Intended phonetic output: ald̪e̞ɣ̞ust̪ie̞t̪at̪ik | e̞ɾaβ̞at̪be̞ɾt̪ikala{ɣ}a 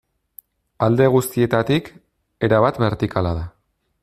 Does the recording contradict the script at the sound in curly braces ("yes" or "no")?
yes